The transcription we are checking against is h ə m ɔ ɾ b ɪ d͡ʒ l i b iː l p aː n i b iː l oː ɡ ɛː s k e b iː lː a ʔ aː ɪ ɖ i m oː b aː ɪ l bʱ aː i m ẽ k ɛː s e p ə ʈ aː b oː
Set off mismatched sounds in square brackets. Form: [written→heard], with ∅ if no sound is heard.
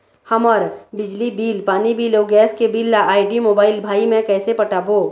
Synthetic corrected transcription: h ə m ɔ ɾ b ɪ d͡ʒ l i b iː l p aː n i b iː l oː ɡ ɛː s k e b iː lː a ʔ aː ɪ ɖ i m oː b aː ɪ l bʱ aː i m ẽ k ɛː s e p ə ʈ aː b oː